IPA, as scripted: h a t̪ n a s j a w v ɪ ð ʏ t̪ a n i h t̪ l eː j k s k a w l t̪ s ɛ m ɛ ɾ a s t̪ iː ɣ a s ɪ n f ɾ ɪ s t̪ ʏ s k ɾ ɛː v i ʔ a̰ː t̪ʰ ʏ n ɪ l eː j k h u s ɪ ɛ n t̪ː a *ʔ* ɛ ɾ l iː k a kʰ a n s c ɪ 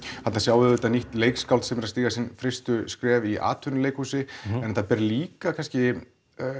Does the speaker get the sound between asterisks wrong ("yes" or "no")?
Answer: yes